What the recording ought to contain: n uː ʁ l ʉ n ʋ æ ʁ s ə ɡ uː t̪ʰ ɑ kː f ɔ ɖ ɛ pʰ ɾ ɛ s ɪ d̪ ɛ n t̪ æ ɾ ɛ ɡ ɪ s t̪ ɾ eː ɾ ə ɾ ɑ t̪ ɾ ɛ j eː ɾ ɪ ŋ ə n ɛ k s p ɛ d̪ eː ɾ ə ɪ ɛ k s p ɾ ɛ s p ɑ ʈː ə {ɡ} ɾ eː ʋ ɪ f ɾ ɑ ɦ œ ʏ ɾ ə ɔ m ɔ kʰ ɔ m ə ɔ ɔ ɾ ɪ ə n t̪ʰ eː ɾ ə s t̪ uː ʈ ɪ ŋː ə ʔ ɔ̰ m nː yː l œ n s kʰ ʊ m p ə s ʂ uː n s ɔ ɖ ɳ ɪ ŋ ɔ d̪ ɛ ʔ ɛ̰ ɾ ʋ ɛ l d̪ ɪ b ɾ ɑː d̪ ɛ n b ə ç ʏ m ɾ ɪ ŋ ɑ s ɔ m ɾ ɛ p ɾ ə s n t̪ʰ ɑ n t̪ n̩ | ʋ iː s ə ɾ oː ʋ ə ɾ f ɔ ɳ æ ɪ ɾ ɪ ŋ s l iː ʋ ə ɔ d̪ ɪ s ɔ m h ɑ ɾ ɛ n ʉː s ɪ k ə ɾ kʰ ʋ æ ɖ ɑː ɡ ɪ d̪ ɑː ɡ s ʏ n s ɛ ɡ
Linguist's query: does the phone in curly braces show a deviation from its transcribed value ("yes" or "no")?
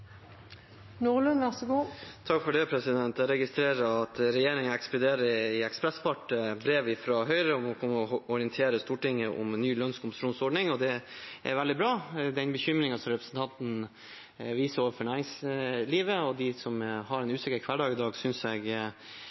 yes